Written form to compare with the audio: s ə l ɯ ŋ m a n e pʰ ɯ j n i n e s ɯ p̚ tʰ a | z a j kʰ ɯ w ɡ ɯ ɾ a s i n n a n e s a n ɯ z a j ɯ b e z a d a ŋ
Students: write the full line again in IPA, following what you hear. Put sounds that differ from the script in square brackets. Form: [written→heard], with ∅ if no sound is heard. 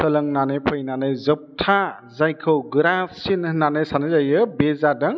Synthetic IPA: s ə l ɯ ŋ [m→n] a n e pʰ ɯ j n [i→a] n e [s→z] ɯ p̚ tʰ a | z a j kʰ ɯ w ɡ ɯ ɾ a s i n n a n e s a n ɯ z a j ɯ b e z a d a ŋ